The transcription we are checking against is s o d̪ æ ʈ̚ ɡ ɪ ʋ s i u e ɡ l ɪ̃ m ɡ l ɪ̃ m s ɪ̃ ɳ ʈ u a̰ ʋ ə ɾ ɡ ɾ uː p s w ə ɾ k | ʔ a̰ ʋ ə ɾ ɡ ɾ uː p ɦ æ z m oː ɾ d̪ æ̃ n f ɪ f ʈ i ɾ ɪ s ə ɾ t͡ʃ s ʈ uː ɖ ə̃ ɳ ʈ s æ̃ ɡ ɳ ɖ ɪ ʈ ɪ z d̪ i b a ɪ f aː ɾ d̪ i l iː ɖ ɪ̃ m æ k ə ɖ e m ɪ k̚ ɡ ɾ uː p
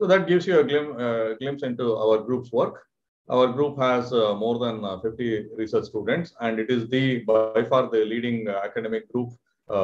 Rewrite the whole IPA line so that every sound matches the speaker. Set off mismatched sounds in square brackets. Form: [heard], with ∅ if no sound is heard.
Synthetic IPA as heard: s o d̪ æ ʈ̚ ɡ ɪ ʋ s [j] u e ɡ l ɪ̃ m ɡ l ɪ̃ m s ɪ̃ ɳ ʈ u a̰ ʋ ə ɾ ɡ ɾ uː p s [ʋ] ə ɾ k | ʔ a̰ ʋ ə ɾ ɡ ɾ uː p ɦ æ z m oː ɾ d̪ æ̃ n f ɪ f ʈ i ɾ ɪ s ə ɾ t͡ʃ s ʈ uː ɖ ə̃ ɳ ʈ s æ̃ [∅] ɳ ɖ ɪ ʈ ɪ z d̪ i b a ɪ f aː ɾ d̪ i l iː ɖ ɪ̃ [ŋ] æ k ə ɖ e m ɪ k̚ ɡ ɾ uː p